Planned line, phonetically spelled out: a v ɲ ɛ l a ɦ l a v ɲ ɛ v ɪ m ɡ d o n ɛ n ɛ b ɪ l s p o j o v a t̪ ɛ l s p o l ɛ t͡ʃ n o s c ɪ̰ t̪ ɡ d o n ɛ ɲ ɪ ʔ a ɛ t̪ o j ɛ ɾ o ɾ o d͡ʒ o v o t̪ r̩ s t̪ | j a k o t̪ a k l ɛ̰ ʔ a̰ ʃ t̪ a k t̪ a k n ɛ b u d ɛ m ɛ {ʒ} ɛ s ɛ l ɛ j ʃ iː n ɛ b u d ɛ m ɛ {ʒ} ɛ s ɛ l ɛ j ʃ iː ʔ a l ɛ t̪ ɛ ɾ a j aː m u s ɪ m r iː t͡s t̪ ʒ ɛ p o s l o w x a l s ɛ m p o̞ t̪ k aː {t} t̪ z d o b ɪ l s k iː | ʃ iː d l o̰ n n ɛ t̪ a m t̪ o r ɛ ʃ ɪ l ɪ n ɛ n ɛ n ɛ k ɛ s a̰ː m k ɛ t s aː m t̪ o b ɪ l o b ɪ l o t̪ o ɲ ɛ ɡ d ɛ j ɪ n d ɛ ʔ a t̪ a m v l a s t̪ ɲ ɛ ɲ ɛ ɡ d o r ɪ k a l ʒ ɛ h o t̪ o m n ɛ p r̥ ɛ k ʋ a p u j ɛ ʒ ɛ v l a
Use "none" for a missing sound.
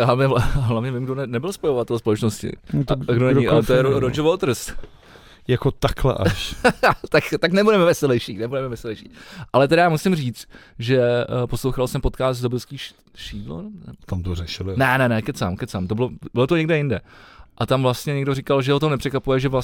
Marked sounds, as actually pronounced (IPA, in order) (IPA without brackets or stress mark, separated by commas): v, v, s